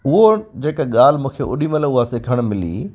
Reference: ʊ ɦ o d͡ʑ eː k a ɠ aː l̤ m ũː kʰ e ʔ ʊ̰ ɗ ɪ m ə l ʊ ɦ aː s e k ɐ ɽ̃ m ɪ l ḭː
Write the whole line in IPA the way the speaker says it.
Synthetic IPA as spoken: ʊ ɦ o d͡ʑ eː k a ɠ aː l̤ m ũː kʰ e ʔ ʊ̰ ɗ i m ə l ʊ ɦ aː s e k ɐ ɽ̃ m ɪ l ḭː